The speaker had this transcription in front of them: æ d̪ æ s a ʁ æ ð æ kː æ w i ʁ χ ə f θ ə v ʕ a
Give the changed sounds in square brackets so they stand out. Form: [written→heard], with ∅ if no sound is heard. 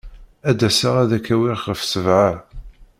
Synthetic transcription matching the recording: æ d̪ æ s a ʁ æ ð æ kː æ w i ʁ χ ə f [θ→s] ə v ʕ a